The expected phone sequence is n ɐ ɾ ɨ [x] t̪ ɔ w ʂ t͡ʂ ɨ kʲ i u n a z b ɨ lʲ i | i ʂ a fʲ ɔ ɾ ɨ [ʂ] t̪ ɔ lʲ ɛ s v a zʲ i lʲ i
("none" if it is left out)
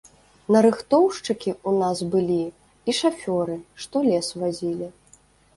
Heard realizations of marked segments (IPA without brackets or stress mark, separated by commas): x, ʂ